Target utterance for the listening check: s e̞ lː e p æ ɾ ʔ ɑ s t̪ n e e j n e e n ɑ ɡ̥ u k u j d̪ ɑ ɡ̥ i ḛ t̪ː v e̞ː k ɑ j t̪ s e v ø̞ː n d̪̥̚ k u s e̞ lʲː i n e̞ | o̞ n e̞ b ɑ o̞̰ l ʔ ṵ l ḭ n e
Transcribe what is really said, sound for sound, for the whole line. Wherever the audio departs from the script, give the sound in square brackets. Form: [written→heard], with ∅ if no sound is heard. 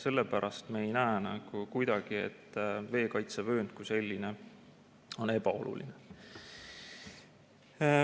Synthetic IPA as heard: s e̞ lː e p æ ɾ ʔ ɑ s t̪ [n→m] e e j n [e→æ] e n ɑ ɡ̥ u k u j d̪ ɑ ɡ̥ i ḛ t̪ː v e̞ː k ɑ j t̪ s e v ø̞ː n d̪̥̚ k u s e̞ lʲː i n e̞ | o̞ n e̞ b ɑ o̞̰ l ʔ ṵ l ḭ n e